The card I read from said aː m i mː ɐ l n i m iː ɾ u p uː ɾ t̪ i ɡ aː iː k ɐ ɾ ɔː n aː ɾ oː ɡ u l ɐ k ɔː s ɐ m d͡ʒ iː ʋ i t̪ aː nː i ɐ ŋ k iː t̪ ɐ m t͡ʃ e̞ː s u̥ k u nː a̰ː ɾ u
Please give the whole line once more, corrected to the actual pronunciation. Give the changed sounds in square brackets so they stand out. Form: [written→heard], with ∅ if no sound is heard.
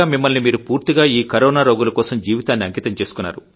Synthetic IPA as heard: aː m i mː ɐ l n i m iː ɾ u p uː ɾ t̪ i ɡ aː iː k ɐ ɾ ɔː n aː ɾ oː ɡ u l ɐ k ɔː s ɐ m d͡ʒ iː ʋ i t̪ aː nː i ɐ ŋ k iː t̪ ɐ m t͡ʃ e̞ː s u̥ k u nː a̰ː ɾ u